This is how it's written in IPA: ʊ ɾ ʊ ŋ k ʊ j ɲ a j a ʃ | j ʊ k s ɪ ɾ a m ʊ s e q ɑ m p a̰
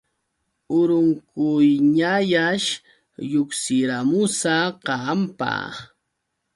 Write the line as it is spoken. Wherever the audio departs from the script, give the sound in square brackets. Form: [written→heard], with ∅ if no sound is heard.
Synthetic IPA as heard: ʊ ɾ ʊ ŋ k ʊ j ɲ a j a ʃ | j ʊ k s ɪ ɾ a m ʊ s [e→a] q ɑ m p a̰